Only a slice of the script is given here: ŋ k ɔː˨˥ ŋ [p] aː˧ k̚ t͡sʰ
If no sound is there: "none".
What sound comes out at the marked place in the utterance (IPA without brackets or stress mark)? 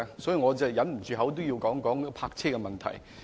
pʰ